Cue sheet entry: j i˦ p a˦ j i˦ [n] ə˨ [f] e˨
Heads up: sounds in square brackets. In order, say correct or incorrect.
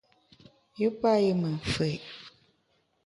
incorrect: m, correct

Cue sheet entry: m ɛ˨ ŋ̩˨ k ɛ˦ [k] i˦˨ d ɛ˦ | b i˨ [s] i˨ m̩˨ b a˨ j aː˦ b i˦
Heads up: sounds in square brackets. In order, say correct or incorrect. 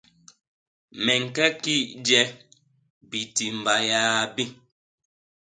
correct, incorrect: t

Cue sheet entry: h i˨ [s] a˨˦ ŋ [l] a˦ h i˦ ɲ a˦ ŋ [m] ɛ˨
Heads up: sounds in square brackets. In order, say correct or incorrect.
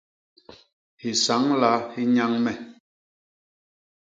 correct, correct, correct

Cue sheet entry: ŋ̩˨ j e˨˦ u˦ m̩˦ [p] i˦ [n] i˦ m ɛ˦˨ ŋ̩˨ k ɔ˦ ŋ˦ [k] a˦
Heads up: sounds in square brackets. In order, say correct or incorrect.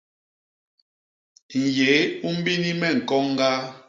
incorrect: b, correct, incorrect: ɡ

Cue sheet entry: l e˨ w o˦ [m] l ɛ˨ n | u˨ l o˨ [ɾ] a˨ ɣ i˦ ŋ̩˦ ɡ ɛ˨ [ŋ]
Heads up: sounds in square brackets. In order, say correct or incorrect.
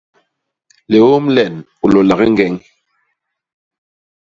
correct, incorrect: l, correct

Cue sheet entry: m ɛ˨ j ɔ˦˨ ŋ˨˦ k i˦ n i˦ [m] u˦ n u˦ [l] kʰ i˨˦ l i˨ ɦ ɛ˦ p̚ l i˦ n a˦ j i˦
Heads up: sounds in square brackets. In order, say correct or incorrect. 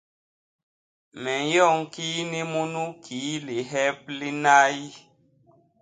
correct, incorrect: none

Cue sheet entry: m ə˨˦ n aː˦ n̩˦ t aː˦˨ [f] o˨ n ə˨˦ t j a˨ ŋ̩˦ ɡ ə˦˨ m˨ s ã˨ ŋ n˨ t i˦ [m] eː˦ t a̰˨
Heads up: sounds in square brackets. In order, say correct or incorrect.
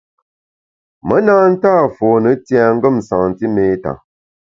correct, correct

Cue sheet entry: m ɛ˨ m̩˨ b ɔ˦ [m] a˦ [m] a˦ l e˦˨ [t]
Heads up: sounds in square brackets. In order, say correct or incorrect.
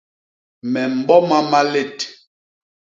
correct, correct, correct

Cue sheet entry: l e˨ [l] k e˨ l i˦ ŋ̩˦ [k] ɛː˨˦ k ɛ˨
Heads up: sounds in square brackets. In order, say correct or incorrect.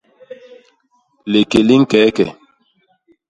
incorrect: none, correct

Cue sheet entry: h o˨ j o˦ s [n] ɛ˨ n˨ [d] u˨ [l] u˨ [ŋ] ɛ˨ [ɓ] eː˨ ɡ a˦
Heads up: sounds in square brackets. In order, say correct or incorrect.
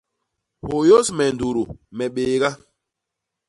incorrect: m, correct, incorrect: ɾ, incorrect: m, correct

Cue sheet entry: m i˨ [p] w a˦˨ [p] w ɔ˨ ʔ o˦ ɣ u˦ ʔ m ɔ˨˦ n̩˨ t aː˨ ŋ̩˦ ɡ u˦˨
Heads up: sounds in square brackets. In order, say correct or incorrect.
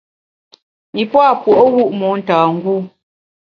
correct, correct

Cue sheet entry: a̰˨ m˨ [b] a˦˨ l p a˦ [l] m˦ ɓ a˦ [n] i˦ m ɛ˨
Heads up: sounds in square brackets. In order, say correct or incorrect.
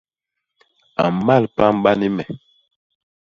incorrect: m, incorrect: none, correct

